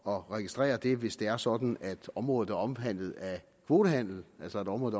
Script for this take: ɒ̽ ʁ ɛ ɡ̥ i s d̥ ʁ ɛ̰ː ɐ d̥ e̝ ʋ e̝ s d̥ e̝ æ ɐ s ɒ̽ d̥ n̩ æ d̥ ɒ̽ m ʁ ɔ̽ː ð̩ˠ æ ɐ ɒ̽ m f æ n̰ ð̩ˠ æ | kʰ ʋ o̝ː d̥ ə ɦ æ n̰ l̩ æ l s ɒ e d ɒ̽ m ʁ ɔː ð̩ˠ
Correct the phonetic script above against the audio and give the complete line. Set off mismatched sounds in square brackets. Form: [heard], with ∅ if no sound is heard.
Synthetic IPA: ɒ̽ ʁ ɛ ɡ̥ i s d̥ ʁ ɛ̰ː ɐ d̥ e̝ ʋ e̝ s d̥ e̝ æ ɐ s ɒ̽ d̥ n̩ æ d̥ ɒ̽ m ʁ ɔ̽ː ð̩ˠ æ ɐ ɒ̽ m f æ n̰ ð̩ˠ æ | kʰ ʋ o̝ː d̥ ə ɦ æ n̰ l̩ æ l s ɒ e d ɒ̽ m ʁ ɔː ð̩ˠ